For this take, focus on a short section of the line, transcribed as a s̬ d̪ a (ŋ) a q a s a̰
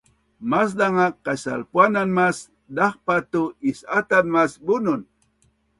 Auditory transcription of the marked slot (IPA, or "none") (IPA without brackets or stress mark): ŋ